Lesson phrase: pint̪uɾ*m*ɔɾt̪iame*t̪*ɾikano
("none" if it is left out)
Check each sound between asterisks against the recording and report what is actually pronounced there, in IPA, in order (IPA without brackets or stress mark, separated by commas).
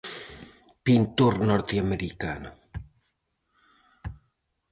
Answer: n, none